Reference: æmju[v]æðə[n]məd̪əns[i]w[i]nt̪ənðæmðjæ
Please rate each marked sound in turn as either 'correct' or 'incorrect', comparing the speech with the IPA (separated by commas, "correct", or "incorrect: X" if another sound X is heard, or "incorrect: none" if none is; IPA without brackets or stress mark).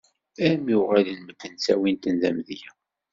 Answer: incorrect: ʁ, correct, incorrect: æ, correct